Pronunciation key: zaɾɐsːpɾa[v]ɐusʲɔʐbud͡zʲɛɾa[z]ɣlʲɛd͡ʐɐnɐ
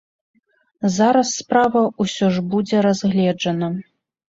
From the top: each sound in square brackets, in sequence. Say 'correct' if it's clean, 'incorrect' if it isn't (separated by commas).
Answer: correct, correct